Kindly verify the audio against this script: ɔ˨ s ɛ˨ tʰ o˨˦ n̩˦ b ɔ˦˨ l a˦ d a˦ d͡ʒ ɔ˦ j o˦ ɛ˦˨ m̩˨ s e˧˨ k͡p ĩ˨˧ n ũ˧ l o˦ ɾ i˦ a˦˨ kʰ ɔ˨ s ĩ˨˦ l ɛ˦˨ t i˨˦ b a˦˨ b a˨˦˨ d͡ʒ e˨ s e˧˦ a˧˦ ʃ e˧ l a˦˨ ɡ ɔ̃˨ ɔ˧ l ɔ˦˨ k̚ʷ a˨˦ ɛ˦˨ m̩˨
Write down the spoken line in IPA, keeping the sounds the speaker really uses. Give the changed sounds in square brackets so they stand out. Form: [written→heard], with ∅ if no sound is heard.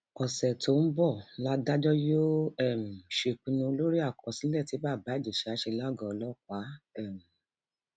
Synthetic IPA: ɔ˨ s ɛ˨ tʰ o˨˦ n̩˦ b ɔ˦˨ l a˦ d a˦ d͡ʒ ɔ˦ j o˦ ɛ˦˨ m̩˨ [s→ʃ] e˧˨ k͡p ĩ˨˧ n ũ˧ l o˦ ɾ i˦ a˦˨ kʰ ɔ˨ s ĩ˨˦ l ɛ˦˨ t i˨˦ b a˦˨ b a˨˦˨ d͡ʒ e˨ [s→ʃ] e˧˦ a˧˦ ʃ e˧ l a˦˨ ɡ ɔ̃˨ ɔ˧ l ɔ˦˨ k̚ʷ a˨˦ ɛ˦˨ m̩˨